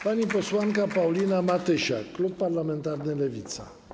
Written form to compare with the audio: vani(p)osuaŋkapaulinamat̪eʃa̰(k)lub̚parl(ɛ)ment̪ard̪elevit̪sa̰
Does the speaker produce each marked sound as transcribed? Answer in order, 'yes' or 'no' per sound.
yes, yes, no

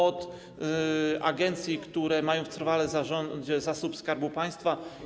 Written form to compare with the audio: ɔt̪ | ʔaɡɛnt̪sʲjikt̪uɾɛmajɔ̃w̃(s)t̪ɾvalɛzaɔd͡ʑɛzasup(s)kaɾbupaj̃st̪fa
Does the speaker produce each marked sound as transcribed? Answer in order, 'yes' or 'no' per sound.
no, yes

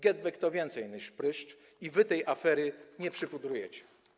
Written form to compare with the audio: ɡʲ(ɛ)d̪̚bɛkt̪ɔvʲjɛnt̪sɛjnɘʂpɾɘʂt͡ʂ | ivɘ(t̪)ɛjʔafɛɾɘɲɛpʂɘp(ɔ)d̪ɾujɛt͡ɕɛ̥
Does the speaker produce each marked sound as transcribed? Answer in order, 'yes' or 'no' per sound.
yes, yes, no

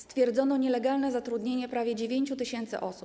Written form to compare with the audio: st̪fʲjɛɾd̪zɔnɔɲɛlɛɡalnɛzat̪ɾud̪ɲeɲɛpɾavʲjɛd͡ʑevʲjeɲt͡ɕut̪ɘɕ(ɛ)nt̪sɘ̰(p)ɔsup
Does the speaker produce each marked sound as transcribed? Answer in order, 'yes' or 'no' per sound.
yes, no

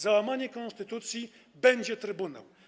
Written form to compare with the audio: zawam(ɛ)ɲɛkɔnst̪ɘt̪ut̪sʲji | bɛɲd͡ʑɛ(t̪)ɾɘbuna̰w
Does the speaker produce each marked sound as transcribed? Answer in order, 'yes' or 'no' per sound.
no, yes

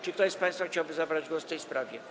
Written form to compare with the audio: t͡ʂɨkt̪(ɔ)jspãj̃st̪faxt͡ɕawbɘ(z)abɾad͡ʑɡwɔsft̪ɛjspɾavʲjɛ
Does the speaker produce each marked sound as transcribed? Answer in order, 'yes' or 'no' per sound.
yes, yes

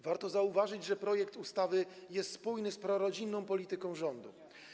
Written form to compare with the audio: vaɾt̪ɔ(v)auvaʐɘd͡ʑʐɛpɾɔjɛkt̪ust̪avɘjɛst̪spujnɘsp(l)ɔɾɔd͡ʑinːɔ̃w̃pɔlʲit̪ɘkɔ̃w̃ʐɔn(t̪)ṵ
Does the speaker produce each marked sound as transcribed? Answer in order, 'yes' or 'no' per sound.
no, no, no

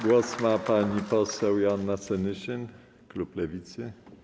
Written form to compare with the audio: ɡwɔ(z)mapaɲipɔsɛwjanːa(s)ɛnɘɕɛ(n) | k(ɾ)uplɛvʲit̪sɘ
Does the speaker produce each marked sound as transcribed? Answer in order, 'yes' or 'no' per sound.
no, yes, yes, no

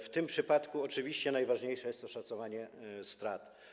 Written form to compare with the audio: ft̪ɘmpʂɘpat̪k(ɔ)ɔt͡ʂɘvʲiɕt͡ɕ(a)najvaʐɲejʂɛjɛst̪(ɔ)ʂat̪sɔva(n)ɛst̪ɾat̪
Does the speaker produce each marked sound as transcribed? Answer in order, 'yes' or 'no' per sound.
no, no, yes, no

